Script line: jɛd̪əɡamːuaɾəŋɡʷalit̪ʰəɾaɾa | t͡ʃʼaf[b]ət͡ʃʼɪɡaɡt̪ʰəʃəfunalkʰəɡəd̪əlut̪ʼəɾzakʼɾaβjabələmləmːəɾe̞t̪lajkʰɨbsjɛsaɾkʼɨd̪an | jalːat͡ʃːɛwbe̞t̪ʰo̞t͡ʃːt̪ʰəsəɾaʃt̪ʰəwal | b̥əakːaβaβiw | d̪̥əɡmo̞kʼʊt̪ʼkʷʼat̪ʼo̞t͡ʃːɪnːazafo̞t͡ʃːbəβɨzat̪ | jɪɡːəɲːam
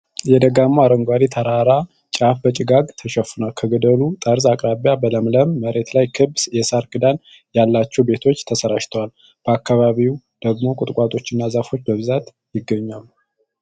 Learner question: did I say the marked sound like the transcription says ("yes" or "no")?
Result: yes